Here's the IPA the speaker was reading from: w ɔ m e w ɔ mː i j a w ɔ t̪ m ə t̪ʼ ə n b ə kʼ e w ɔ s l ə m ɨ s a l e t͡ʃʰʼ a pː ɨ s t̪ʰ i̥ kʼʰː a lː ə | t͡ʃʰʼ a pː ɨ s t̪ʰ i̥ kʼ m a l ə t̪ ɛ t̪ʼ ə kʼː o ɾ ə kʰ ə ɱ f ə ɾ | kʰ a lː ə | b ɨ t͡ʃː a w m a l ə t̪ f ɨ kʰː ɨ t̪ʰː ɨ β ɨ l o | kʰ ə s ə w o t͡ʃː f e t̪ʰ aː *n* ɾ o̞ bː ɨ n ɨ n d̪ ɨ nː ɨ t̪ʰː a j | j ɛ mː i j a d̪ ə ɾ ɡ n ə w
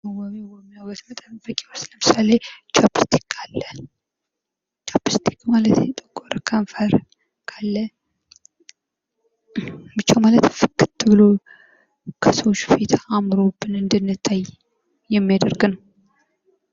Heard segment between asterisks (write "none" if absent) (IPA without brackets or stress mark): m